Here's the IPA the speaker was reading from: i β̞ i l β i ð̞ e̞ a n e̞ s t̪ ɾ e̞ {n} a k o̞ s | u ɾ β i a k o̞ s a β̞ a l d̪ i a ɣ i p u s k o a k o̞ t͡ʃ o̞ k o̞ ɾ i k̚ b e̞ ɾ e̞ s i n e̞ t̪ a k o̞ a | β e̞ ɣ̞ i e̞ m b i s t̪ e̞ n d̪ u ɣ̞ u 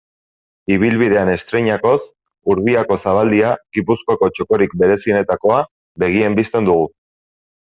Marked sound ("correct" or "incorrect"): incorrect